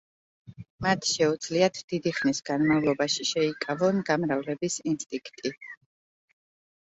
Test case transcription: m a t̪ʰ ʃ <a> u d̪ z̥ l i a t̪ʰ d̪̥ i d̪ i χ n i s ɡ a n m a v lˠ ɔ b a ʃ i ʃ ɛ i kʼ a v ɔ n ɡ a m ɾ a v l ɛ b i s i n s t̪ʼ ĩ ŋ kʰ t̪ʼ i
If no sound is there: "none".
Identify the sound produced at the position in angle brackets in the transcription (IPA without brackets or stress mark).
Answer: ɛ